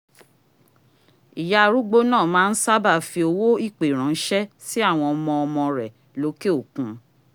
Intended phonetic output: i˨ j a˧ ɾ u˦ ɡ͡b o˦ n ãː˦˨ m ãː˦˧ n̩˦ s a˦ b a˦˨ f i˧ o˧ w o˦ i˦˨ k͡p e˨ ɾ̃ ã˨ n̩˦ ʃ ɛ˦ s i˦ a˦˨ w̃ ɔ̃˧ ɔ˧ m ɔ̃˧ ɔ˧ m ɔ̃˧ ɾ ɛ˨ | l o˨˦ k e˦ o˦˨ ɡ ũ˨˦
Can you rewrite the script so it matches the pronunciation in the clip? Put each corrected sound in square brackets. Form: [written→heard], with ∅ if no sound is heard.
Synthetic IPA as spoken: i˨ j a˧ ɾ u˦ ɡ͡b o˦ n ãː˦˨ m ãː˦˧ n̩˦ s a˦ b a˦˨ f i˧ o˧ w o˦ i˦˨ k͡p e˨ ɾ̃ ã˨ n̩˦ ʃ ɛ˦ s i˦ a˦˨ w̃ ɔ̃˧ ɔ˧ m ɔ̃˧ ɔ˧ m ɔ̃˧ ɾ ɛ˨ | l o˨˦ k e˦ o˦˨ [ɡ→k] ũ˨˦